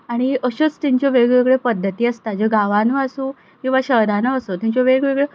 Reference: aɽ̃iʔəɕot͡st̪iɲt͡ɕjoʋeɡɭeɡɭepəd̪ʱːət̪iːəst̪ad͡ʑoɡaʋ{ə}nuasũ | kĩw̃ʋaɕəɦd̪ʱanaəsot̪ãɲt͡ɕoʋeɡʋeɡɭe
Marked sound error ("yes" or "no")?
yes